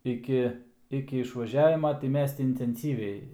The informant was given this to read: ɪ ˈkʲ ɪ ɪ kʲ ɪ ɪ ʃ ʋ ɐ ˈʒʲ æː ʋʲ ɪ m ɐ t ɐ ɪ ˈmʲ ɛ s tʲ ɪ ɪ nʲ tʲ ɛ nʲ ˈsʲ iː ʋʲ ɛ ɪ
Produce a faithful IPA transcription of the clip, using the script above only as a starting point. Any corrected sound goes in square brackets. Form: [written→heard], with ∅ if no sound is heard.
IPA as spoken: ɪ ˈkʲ ɪ ɪ kʲ ɪ ɪ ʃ ʋ ɐ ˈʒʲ æː ʋʲ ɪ m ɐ t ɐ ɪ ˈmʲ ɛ s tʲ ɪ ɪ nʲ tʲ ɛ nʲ ˈsʲ iː ʋʲ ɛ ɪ